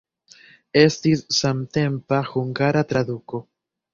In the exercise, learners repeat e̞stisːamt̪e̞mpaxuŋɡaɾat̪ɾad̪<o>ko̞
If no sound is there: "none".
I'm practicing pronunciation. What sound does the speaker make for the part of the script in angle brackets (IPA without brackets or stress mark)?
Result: u